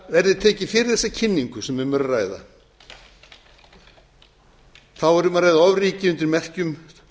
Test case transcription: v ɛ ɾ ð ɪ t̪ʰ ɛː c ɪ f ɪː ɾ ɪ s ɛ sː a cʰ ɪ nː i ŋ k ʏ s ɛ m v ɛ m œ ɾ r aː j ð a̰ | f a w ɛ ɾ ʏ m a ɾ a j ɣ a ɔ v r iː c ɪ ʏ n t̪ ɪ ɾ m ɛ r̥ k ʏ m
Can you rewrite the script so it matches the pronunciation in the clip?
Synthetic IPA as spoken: v ɛ ɾ ð ɪ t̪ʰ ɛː c ɪ f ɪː ɾ ɪ θ ɛ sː a cʰ ɪ nː i ŋ k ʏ s ɛ m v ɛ m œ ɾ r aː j ð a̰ | θ a w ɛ ɾ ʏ m a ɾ a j ð a ɔ v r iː c ɪ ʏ n t̪ ɪ ɾ m ɛ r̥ c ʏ m